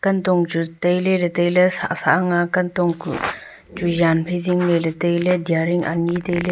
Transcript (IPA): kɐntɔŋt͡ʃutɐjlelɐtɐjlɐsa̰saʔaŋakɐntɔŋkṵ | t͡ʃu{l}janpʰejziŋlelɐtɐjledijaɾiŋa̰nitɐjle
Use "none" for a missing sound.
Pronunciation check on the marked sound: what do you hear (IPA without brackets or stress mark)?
none